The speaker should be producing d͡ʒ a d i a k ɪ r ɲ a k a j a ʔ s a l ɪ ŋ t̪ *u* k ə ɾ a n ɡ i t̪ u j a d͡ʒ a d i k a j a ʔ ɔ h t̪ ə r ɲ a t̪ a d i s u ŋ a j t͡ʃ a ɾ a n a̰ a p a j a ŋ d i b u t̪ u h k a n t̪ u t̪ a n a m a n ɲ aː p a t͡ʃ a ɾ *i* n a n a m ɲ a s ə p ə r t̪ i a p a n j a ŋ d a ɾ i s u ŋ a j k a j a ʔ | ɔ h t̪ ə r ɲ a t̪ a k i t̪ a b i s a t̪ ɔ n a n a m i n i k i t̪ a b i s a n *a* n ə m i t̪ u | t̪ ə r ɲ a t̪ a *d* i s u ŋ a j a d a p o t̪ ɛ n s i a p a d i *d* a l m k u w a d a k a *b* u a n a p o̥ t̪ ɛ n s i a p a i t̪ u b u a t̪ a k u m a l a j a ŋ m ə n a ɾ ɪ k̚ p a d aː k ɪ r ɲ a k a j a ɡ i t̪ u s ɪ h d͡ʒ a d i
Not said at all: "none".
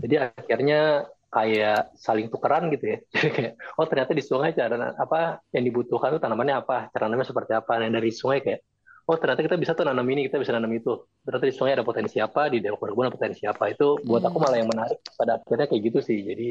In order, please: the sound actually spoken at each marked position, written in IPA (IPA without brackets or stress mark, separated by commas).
u, a, a, d, d, b